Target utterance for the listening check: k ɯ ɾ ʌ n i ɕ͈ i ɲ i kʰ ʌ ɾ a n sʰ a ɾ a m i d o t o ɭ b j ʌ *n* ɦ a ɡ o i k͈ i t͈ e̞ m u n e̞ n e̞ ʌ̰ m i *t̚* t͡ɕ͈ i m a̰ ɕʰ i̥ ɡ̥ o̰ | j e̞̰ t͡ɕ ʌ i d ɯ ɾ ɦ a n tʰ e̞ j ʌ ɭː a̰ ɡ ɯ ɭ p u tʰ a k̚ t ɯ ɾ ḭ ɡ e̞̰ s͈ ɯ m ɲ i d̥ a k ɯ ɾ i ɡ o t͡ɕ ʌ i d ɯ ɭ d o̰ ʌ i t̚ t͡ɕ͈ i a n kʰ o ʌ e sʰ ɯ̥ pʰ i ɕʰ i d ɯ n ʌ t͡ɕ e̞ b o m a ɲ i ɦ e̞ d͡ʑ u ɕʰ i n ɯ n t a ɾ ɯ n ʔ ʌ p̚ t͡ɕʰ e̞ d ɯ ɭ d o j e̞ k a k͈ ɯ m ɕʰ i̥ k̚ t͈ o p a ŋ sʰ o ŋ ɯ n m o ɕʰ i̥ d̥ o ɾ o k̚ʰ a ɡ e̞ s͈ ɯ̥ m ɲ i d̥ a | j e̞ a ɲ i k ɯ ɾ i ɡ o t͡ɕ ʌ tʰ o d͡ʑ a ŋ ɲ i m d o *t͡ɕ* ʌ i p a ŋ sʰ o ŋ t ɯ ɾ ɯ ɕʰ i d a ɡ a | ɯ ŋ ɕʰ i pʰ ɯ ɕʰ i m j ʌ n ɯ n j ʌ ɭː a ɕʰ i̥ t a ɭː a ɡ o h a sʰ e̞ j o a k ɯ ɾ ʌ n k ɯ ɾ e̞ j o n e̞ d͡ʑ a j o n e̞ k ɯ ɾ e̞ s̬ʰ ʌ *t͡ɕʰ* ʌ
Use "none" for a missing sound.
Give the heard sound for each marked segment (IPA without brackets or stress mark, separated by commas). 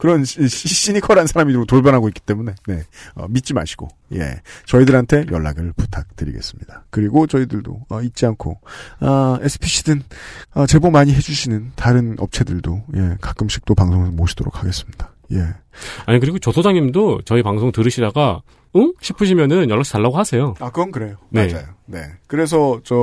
n, t̚, t͡ɕ, t͡ɕ